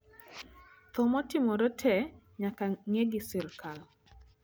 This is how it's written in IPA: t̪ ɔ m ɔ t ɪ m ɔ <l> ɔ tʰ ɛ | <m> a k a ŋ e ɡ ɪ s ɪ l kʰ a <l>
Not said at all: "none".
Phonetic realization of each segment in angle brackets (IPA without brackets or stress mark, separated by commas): ɾ, ɲ, l